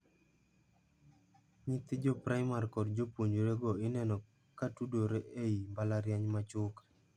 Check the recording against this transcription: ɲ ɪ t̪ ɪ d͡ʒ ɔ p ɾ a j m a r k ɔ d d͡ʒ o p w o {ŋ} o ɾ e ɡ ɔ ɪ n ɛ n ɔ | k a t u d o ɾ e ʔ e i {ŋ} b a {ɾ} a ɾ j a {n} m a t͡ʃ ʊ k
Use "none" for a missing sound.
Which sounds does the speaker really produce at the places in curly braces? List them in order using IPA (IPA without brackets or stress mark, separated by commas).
ɲ, m, l, ɲ